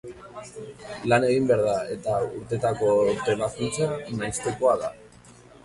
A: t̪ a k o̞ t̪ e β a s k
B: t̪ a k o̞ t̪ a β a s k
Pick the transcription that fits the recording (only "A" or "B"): A